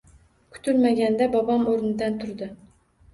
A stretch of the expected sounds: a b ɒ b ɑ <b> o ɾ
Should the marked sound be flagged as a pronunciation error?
yes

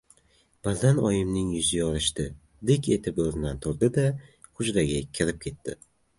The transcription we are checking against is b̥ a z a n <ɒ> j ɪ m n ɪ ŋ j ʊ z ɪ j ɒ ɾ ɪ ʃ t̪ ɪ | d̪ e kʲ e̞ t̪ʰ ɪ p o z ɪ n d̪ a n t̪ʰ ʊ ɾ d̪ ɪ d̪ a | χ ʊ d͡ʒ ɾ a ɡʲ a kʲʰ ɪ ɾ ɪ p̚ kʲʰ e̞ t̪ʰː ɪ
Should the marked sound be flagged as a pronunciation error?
no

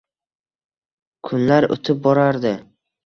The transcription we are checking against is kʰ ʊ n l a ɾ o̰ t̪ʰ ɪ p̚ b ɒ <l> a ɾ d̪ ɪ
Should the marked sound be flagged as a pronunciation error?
yes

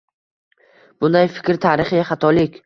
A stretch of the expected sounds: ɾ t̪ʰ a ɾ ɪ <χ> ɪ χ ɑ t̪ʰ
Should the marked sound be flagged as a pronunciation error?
no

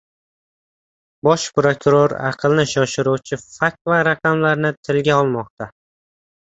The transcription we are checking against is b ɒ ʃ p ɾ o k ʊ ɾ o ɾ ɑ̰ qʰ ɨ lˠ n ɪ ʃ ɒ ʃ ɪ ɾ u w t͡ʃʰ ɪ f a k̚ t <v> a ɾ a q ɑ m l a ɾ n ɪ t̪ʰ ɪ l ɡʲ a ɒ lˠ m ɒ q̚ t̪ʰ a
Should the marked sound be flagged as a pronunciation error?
no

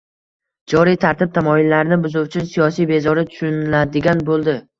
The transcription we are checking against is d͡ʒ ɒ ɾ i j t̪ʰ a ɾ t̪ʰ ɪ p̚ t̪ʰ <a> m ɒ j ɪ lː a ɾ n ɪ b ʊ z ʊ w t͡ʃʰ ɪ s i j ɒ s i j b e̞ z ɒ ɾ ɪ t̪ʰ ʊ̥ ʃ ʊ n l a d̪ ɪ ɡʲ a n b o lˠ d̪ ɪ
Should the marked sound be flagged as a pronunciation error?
no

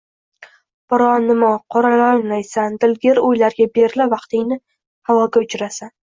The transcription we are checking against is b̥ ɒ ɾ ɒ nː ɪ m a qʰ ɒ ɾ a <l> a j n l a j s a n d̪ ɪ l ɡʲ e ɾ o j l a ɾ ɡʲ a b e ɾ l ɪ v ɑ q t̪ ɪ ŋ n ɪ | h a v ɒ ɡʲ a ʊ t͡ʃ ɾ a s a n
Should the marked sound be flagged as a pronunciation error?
no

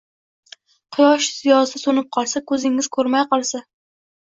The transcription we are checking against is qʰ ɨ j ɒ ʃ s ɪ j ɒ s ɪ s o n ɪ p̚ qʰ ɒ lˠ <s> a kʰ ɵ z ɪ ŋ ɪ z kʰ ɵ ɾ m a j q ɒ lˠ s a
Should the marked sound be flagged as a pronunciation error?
no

